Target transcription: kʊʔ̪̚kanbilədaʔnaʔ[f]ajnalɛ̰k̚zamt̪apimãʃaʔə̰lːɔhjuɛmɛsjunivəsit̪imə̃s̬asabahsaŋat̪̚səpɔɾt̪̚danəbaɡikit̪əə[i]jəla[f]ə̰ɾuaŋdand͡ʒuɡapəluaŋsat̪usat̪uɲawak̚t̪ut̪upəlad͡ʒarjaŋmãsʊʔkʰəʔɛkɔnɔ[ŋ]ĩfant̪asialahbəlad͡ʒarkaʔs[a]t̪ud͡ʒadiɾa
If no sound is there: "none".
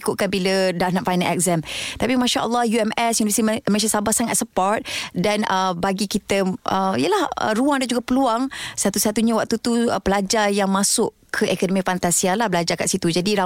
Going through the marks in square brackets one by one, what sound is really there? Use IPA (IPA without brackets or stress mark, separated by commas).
f, i, h, m, i